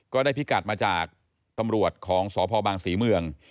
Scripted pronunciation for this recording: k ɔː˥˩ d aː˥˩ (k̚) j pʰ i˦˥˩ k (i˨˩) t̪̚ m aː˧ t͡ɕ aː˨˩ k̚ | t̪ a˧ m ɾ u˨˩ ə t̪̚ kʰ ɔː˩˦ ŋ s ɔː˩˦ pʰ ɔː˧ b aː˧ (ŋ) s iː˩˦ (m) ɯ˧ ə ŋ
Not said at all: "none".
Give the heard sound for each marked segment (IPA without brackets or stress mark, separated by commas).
none, a˨˩, ŋ, m